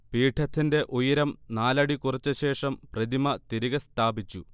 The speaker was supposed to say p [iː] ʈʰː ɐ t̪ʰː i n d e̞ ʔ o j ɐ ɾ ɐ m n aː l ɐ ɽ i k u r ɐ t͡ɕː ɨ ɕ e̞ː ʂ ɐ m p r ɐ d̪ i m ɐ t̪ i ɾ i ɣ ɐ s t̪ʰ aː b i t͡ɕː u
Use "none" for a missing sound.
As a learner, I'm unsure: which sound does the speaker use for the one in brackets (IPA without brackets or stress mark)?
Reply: iː